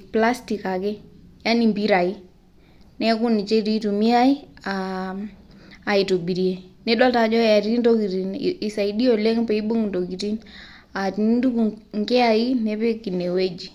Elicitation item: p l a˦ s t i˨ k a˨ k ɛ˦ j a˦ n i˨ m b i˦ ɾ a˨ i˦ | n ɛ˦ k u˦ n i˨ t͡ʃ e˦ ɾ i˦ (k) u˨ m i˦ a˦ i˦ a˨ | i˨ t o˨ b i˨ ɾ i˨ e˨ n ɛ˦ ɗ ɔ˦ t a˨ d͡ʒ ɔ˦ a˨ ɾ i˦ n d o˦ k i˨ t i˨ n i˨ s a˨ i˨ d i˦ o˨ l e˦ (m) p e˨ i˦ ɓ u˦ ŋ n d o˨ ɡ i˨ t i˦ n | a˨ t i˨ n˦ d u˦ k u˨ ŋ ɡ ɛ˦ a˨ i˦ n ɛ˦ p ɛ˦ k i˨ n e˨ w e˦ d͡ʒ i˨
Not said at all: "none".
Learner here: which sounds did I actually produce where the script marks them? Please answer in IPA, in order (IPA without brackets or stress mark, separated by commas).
t, ŋ